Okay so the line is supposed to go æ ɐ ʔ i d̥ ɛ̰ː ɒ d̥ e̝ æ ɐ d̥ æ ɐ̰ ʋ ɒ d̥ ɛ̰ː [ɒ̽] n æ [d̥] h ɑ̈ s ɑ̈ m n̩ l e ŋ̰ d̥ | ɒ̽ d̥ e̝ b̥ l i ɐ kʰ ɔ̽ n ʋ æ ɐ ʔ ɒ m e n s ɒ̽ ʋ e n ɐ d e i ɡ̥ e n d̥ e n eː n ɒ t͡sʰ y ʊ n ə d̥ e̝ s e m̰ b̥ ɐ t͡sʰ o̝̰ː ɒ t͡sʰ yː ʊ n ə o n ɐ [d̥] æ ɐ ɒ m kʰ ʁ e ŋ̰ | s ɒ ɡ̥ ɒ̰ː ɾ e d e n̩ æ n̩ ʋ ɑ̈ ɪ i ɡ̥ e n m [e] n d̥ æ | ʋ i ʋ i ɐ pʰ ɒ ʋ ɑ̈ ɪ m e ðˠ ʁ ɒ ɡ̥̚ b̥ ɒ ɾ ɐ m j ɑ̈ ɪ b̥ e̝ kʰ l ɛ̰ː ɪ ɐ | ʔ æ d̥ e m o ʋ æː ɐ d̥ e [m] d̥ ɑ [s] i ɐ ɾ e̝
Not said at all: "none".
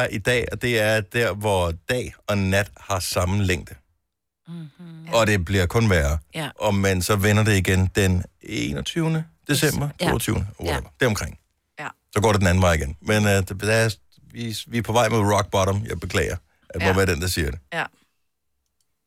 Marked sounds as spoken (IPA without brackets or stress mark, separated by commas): ɒ̽, d̥, d̥, e, n, s